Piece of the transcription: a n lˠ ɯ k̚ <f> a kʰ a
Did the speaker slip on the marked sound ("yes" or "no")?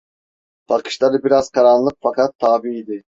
no